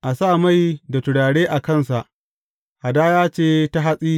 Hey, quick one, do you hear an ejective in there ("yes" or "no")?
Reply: yes